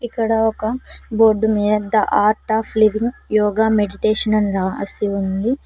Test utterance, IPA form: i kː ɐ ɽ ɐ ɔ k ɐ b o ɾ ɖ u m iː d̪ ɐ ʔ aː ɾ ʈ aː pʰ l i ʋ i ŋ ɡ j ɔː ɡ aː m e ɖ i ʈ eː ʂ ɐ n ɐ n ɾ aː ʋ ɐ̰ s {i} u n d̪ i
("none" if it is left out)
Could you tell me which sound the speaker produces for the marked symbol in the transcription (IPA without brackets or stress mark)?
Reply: i